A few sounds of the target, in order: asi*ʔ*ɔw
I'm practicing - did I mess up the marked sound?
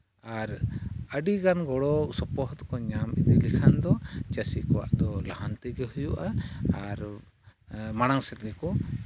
yes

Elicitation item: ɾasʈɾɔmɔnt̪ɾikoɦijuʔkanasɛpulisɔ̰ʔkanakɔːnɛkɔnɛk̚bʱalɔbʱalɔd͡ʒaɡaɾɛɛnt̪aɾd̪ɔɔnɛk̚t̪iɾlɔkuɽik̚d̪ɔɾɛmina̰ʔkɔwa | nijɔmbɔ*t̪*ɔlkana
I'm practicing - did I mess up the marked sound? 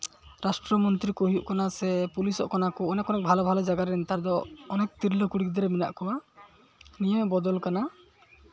yes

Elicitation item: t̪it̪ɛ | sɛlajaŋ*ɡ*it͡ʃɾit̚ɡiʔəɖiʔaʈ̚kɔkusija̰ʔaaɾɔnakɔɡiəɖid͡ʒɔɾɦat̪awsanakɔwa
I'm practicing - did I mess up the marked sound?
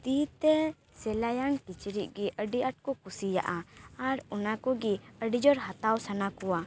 yes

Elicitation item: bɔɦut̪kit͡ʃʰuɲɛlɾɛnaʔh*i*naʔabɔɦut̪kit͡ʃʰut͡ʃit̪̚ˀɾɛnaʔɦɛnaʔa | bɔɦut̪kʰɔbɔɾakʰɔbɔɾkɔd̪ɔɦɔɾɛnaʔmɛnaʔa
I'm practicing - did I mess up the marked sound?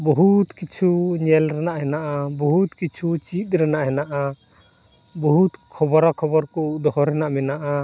yes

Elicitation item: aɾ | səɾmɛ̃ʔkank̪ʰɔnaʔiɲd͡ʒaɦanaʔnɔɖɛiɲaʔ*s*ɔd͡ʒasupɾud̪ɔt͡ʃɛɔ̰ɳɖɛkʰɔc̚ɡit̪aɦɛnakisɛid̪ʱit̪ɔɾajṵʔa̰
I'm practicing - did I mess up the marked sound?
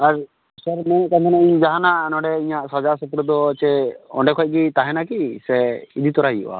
no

